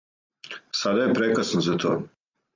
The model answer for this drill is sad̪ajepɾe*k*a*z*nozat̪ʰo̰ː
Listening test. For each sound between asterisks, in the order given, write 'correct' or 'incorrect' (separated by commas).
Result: correct, incorrect